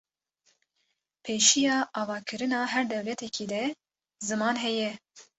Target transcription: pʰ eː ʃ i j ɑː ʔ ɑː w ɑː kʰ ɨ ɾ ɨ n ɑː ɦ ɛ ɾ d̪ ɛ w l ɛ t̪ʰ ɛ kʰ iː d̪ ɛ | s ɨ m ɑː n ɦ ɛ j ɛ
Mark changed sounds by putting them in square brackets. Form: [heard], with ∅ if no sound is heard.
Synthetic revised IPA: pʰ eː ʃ i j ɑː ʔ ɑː [v] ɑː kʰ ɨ ɾ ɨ n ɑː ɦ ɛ ɾ d̪ ɛ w l ɛ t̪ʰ ɛ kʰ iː d̪ ɛ | [z] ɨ m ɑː n ɦ ɛ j ɛ